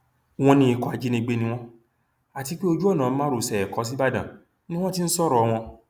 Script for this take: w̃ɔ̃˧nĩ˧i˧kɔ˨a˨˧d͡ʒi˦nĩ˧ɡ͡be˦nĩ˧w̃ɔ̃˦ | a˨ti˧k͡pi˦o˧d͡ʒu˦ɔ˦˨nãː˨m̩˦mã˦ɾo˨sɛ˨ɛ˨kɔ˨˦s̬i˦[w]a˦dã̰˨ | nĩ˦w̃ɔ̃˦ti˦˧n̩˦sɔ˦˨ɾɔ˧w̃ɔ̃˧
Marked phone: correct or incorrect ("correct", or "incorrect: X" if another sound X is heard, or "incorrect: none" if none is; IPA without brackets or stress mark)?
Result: incorrect: b